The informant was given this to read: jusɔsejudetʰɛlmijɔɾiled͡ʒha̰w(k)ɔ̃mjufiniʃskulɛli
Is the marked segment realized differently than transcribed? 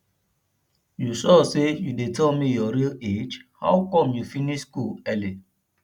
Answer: no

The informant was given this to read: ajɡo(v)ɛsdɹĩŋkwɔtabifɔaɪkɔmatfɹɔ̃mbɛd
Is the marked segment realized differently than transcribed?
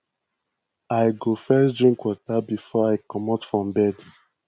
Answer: yes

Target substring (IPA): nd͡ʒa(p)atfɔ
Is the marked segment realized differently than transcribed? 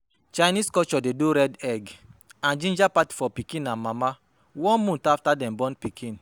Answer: no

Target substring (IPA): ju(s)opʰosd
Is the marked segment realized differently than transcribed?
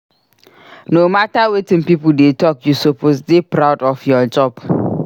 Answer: no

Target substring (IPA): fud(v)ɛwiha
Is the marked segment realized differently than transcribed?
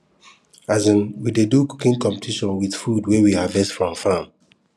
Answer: yes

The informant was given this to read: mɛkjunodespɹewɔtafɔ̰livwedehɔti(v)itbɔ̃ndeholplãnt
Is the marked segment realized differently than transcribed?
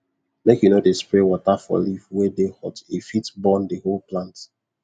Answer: yes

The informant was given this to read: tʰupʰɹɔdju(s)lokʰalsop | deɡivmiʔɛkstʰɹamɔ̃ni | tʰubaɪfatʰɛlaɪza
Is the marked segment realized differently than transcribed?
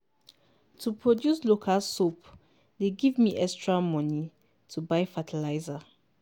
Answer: no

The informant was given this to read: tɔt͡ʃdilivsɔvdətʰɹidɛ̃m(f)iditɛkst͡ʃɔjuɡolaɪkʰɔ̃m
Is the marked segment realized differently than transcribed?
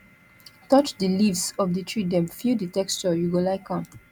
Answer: no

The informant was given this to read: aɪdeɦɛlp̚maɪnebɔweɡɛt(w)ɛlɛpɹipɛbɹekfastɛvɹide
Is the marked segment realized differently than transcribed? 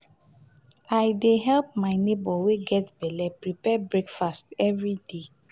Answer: yes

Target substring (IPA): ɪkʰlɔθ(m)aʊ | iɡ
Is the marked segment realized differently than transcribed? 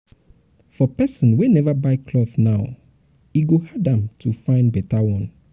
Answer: yes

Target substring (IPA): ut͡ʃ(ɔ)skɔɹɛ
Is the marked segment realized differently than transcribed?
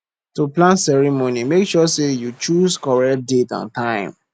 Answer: yes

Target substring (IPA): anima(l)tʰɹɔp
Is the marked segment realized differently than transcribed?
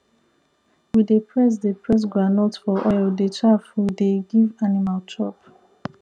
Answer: no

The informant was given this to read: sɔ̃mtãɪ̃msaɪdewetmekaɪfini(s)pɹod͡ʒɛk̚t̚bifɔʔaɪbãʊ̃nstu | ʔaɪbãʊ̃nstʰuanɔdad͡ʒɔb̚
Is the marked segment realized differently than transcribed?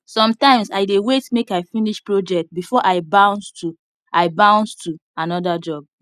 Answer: yes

